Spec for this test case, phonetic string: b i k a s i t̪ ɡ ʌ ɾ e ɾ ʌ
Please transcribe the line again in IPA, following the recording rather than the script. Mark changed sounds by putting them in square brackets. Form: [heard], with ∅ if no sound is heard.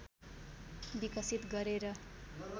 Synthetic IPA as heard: b i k [ʌ] s i t̪ ɡ ʌ ɾ e ɾ ʌ